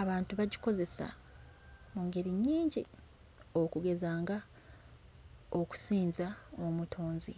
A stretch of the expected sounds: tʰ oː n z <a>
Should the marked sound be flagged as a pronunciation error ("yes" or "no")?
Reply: yes